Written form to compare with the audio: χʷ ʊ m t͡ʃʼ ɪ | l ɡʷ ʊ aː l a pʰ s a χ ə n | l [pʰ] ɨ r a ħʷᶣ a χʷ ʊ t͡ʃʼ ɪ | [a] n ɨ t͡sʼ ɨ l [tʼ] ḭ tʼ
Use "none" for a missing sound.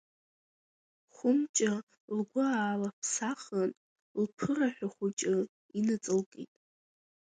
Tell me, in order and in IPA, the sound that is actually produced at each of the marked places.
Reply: pʰ, i, kʼ

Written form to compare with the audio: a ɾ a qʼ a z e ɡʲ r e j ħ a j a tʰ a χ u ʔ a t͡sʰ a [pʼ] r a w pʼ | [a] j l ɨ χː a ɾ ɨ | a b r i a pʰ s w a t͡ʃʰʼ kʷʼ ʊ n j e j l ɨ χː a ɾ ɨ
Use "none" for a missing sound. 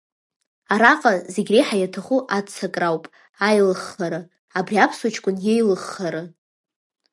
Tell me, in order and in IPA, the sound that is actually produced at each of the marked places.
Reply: kʼ, a

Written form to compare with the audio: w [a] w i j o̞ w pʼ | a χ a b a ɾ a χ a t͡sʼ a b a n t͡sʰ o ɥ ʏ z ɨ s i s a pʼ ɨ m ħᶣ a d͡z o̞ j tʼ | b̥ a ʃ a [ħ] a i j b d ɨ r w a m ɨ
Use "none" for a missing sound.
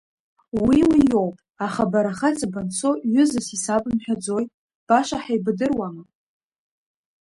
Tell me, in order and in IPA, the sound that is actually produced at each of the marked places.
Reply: i, ħ

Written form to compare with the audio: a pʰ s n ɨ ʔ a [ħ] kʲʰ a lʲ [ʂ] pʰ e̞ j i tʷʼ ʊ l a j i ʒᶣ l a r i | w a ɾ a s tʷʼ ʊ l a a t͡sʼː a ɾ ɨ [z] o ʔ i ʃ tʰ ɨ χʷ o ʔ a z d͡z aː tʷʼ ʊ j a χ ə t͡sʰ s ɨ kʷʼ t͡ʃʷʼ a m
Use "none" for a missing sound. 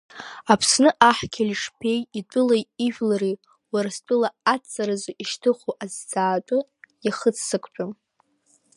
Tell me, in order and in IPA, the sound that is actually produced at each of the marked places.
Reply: ħ, ʂ, z

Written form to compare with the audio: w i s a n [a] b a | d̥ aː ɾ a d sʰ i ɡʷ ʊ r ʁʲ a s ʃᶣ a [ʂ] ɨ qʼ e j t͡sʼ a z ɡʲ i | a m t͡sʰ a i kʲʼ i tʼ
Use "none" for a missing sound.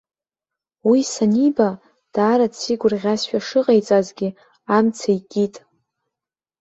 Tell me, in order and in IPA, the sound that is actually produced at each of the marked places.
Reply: i, ʂ

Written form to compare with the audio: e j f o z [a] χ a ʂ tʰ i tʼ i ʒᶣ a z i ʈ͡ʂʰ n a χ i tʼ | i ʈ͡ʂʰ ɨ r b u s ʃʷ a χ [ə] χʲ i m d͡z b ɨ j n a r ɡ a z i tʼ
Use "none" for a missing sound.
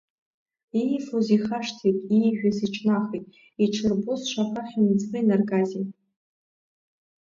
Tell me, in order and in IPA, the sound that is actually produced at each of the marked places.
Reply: i, a

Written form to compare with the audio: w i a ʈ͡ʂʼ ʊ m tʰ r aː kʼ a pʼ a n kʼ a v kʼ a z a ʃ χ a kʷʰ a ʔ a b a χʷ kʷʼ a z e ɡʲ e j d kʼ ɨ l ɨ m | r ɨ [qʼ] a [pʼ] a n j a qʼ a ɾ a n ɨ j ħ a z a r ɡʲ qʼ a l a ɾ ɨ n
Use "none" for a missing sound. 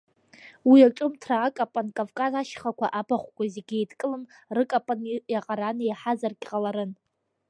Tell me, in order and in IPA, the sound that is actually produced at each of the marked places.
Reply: kʼ, pʼ

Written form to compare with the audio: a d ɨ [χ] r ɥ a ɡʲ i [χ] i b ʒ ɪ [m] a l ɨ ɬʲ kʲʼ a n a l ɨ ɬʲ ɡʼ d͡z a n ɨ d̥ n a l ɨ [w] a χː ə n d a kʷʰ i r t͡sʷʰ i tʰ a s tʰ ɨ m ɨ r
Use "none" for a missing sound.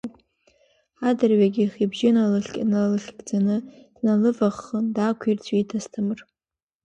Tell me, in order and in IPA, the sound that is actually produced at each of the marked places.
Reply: none, χ, n, v

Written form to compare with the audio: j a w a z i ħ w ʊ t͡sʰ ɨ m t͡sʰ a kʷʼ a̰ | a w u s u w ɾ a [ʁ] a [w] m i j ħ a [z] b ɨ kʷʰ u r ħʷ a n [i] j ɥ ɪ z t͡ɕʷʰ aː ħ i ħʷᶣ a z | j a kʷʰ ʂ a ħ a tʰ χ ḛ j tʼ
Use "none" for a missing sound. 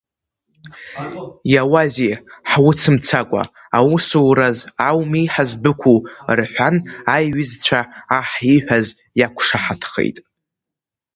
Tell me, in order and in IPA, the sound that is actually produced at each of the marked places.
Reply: z, w, z, a

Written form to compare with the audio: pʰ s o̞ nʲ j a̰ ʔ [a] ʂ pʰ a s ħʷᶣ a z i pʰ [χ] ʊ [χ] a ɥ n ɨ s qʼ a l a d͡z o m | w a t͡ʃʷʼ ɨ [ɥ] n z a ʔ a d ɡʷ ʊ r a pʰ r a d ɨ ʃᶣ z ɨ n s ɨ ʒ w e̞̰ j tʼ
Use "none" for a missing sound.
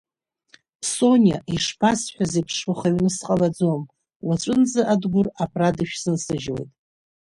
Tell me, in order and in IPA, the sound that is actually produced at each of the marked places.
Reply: i, ʂ, χ, none

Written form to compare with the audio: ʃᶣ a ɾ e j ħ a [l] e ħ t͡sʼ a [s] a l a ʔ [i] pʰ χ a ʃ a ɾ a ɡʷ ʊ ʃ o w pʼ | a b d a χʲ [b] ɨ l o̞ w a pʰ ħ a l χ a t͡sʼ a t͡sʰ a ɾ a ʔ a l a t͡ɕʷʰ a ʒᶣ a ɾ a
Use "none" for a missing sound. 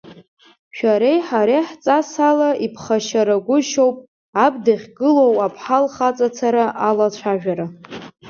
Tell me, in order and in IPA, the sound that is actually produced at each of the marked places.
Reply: ɾ, s, i, ɡ

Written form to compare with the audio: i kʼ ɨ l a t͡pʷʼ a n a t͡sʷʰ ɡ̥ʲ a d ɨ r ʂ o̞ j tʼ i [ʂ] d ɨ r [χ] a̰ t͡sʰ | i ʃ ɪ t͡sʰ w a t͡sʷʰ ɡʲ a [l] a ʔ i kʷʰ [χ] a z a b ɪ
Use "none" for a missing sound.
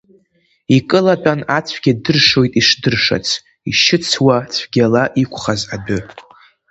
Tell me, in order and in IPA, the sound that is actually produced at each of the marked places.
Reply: ʂ, ʂ, l, χ

